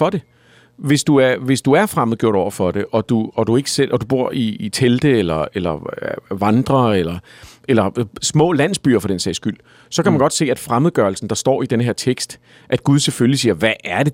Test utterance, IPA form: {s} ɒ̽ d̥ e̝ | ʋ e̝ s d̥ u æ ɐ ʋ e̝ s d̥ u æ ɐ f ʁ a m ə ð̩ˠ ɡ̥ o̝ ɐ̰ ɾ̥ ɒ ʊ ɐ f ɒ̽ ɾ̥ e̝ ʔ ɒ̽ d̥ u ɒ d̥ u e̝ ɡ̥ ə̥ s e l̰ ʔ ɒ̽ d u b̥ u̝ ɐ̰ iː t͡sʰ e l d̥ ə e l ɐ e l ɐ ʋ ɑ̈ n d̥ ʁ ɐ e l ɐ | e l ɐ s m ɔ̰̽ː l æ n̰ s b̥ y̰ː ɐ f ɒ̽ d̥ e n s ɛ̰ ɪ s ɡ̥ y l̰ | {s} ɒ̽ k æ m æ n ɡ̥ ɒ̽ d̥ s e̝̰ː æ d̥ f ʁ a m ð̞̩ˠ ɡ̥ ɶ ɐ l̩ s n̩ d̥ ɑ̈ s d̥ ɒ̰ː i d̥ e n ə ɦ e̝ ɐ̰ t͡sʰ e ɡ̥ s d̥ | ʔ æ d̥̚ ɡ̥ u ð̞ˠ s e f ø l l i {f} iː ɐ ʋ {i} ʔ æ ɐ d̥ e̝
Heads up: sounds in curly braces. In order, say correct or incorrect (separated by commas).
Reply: incorrect, correct, incorrect, incorrect